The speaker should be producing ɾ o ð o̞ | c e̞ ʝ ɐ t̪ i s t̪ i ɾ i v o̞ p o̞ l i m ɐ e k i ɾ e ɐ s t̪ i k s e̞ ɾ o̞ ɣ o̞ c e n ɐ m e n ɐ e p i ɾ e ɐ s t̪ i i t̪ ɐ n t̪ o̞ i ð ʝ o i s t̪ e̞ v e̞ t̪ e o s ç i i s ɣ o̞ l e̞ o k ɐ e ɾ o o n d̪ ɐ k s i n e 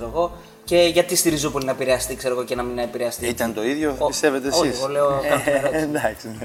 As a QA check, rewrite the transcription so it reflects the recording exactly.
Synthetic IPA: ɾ o ɣ o̞ | c e̞ ʝ ɐ t̪ i s t̪ i ɾ i z o̞ p o̞ l i n ɐ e p i ɾ e ɐ s t̪ i k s e̞ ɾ o̞ ɣ o̞ c e n ɐ m i n ɐ e p i ɾ e ɐ s t̪ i i t̪ ɐ n t̪ o̞ i ð ʝ o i s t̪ e̞ v e̞ t̪ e o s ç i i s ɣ o̞ l e̞ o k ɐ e ɾ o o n d̪ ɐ k s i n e